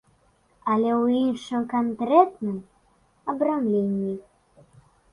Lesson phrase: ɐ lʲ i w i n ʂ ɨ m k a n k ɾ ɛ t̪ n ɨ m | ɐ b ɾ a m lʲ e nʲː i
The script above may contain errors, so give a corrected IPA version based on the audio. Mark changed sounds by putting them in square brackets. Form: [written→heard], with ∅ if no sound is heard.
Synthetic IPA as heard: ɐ lʲ [i→ɛ] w i n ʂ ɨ m k a n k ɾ ɛ t̪ n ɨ m | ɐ b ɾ a m lʲ e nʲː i